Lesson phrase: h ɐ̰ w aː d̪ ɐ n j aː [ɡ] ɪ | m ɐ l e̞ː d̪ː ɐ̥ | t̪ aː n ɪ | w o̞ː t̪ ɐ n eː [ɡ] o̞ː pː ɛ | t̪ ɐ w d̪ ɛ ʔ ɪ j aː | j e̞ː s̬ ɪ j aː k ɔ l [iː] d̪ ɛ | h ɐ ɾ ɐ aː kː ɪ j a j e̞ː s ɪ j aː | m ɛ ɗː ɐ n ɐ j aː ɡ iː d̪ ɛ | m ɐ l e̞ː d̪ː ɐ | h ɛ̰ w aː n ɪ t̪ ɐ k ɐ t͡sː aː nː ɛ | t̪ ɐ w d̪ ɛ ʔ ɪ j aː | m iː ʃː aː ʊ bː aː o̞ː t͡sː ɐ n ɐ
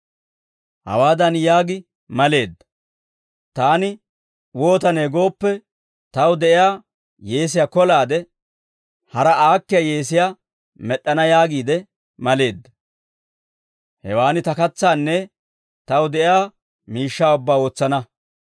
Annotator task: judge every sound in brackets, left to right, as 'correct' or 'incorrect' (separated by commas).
correct, correct, incorrect